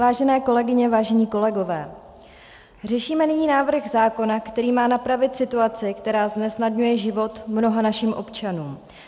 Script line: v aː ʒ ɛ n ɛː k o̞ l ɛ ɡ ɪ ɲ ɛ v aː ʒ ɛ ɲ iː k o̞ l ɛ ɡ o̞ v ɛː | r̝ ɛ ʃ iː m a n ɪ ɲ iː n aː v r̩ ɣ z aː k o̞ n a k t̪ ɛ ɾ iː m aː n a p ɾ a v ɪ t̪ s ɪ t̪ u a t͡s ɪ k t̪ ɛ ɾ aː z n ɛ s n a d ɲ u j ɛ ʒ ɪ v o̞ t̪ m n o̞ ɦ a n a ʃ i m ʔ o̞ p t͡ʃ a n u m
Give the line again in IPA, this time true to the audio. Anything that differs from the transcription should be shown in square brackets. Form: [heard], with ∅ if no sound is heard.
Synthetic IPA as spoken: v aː ʒ ɛ n ɛː k o̞ l ɛ ɡ ɪ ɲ ɛ v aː ʒ ɛ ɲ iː k o̞ l ɛ ɡ o̞ v ɛː | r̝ ɛ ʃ iː m [ɛ] n ɪ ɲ iː n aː v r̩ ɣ z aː k o̞ n a k t̪ ɛ ɾ iː m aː n a p ɾ a v ɪ t̪ s ɪ t̪ u a t͡s ɪ k t̪ ɛ ɾ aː z n ɛ s n a d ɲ u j ɛ ʒ ɪ v o̞ t̪ m n o̞ ɦ a n a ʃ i m ʔ o̞ p t͡ʃ a n [uː] m